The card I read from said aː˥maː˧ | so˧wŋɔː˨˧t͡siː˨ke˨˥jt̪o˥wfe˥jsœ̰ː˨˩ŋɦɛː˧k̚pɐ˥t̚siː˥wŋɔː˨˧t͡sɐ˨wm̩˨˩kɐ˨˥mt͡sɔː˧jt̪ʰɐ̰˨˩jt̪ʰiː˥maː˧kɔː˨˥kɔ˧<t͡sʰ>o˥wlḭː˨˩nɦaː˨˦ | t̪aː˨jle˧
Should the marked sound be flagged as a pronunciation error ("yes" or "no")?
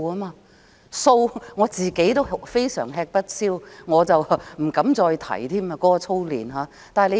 no